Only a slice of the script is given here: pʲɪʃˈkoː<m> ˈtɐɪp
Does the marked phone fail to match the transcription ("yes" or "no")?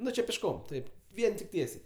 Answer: no